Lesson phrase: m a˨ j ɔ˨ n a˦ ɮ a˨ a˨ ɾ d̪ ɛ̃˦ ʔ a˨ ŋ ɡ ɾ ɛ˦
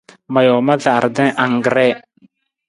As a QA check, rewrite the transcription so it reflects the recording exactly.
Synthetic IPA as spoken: m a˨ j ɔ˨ m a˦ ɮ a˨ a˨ ɾ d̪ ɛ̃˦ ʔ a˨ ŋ ɡ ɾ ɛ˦